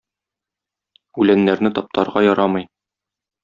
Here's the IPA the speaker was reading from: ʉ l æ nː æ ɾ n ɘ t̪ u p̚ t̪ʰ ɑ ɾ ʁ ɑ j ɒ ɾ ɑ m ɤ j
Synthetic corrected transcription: ʉ l æ nː æ ɾ n ɘ t̪ ɒ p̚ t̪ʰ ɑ ɾ ʁ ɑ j ɒ ɾ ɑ m ɤ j